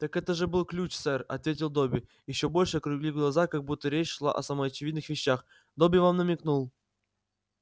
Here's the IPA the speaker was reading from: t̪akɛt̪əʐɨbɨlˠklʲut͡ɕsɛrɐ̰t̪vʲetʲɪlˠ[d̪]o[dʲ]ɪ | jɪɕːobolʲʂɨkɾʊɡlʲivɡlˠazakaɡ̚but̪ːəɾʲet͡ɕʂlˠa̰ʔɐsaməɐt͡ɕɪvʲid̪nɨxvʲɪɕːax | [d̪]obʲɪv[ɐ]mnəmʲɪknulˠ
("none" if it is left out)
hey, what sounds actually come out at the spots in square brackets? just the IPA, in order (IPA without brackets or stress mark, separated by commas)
d̪, bʲ, d̪, a